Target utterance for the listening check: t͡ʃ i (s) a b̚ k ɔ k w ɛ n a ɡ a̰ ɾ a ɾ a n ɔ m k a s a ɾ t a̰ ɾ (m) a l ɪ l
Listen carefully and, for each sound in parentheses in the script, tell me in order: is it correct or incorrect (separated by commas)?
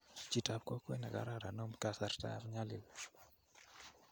incorrect, incorrect